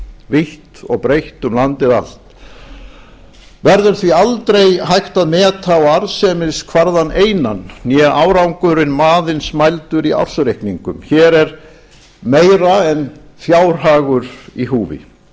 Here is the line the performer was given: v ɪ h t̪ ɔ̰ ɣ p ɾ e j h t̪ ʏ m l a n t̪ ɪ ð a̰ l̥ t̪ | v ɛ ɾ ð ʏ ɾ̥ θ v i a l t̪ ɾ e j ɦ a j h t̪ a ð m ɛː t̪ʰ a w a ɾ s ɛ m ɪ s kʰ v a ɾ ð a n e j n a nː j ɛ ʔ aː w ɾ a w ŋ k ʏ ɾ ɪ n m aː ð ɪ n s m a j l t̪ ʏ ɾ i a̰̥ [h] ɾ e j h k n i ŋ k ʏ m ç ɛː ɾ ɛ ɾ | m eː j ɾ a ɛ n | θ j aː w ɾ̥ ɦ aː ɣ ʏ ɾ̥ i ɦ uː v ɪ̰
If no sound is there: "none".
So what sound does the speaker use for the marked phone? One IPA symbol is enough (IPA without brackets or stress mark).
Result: s